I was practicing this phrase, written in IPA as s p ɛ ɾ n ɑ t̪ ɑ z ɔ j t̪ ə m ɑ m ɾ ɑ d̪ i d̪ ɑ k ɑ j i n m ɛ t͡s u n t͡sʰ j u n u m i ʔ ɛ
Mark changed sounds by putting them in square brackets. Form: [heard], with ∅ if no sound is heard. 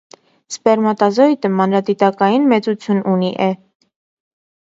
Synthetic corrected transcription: s p ɛ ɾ [m] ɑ t̪ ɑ z ɔ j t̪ ə m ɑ [n] ɾ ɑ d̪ i [t̪] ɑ k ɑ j i n m ɛ t͡s u [∅] t͡sʰ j u n u [n] i ʔ ɛ